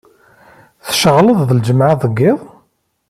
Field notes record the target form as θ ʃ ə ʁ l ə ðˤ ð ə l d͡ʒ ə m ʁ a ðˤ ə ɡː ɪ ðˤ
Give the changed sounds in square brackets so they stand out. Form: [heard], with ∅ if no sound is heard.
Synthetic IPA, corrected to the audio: θ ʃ ə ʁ l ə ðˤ ð ə l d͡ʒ ə m [ʕ] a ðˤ ə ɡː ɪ ðˤ